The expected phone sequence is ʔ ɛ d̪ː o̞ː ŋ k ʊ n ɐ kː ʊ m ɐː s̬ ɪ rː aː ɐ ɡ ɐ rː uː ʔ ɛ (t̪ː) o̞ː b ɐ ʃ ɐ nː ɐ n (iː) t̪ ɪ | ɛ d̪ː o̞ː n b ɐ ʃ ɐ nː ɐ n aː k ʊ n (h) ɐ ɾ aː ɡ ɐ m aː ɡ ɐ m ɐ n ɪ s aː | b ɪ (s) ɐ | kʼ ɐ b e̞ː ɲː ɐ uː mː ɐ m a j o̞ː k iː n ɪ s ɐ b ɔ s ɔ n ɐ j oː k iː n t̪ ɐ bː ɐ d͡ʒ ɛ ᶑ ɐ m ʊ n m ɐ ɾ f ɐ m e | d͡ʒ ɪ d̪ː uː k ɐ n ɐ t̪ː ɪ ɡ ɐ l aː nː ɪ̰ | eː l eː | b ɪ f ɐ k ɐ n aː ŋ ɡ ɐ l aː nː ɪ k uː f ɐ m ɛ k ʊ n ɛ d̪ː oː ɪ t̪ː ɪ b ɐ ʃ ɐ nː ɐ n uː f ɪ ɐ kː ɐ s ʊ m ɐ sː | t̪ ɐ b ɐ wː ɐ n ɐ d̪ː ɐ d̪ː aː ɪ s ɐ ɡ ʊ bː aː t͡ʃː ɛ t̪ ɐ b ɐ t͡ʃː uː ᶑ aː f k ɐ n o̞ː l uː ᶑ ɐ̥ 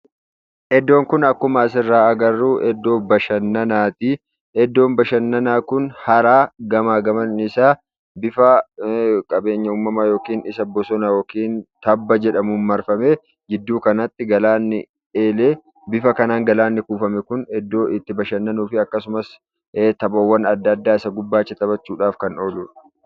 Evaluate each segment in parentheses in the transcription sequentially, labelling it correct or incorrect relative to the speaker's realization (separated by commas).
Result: incorrect, incorrect, correct, incorrect